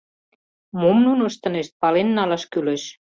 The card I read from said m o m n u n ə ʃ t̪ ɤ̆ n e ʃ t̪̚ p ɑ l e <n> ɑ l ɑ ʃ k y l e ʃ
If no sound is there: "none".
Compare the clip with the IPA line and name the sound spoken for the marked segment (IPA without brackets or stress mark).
nː